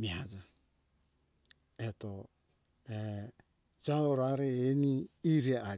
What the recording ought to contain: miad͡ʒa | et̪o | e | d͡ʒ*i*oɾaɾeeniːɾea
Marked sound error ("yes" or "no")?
yes